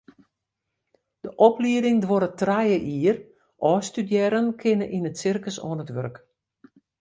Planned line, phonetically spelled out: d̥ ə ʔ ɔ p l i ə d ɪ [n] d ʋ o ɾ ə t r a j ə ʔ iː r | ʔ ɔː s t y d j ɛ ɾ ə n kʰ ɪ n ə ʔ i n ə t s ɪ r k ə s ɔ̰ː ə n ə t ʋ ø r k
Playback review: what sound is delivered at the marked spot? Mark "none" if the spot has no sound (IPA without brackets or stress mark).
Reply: ŋ